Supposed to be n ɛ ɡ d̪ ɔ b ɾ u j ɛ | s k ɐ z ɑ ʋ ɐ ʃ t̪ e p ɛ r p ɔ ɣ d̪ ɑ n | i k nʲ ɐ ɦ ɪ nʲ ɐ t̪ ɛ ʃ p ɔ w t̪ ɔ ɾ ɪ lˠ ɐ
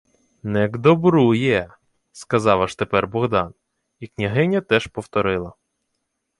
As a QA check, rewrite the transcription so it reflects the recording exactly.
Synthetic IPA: n ɛ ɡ d̪ ɔ b ɾ u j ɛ | s k ɐ z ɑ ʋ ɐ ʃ t̪ e p ɛ r b ɔ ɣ d̪ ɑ n | i k nʲ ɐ ɦ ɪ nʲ ɐ t̪ ɛ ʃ p ɔ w t̪ ɔ ɾ ɪ lˠ ɐ